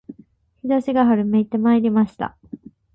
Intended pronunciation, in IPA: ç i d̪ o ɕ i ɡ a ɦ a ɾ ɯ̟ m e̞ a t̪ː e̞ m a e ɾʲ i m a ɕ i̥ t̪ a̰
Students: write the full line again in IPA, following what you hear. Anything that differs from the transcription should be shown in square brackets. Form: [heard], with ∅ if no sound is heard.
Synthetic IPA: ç i d̪ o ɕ i ɡ a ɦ a ɾ ɯ̟ m e̞ [i] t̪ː e̞ m a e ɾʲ i m a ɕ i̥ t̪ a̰